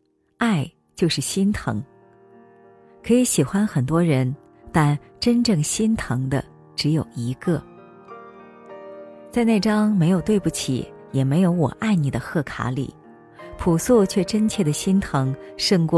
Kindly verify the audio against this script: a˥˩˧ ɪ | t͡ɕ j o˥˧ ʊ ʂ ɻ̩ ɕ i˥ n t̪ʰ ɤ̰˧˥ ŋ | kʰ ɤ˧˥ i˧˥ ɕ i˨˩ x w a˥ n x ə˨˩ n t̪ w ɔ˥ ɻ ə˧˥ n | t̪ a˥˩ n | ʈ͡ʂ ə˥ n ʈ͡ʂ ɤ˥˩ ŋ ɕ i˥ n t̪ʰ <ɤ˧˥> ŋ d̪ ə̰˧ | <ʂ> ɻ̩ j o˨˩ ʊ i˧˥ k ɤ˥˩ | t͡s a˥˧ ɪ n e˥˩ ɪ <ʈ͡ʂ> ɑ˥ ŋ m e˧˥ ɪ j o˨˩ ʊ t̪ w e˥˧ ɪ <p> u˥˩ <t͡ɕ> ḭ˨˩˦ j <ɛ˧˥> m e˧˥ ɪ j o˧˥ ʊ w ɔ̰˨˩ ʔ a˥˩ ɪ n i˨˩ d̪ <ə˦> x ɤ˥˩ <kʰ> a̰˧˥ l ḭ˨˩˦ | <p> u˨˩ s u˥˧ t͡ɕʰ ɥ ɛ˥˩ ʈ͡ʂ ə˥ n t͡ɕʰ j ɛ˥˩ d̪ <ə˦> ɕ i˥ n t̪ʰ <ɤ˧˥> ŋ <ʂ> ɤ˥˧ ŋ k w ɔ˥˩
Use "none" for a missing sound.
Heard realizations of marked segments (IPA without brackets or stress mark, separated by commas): ɤ˧˥, ʈ͡ʂ, ʈ͡ʂ, p, t͡ɕʰ, ɛ˨˩, ə˦, kʰ, pʰ, ə˩, ɤ˧˥, ʂ